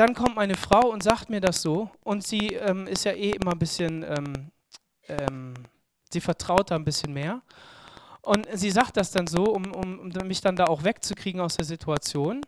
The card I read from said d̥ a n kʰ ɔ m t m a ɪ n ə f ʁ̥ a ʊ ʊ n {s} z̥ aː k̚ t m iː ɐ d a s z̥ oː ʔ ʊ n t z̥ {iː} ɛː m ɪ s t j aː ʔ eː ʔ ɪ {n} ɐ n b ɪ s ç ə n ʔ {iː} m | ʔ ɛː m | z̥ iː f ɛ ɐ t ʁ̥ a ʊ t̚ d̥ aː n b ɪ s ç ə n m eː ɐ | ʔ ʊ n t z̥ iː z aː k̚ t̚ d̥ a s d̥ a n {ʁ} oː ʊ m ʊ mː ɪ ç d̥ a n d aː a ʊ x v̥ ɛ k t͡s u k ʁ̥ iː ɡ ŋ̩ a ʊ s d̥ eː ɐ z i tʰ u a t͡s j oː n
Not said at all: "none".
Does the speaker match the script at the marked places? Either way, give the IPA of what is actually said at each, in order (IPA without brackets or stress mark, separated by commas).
t, iː, m, ɛː, z